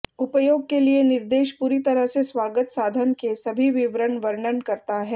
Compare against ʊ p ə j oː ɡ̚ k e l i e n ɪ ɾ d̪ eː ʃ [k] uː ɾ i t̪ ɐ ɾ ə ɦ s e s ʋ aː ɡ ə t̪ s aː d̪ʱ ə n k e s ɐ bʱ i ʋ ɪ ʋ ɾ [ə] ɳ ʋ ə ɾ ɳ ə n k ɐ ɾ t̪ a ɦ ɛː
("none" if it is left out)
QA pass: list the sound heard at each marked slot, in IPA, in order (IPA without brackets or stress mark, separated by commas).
p, ə